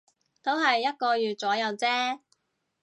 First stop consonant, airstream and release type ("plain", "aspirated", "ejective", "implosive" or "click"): plain